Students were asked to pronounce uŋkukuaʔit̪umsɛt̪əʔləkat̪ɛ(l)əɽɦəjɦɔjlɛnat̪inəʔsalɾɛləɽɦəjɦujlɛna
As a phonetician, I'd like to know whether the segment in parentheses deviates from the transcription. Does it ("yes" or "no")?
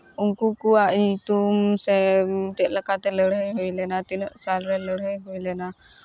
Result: no